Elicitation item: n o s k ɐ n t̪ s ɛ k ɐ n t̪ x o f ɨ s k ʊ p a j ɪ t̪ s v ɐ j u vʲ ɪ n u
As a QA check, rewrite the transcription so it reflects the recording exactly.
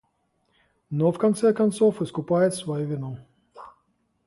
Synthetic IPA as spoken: n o f k ɐ n t̪ s ɛ k ɐ n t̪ s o f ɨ s k ʊ p a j ɪ t̪ s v ɐ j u vʲ ɪ n u